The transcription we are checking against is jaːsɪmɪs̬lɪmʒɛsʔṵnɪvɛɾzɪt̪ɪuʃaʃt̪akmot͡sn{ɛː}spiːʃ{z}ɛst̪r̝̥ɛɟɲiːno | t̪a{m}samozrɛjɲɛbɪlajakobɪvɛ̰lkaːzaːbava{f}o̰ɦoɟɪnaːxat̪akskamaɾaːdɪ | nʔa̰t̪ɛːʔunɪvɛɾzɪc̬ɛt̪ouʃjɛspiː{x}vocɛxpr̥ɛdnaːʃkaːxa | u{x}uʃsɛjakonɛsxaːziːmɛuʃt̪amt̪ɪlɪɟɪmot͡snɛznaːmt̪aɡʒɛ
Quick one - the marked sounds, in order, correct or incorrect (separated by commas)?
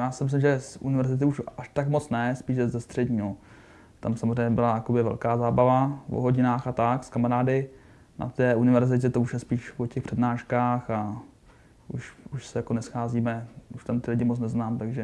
incorrect, correct, correct, incorrect, incorrect, incorrect